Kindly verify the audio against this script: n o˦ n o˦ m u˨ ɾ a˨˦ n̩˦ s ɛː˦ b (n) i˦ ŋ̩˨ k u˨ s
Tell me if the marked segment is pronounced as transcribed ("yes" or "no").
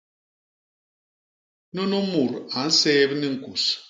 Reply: yes